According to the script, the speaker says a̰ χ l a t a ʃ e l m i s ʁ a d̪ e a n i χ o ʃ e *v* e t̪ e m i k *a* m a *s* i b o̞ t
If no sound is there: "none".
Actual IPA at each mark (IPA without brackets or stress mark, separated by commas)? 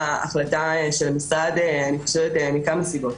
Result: v, a, s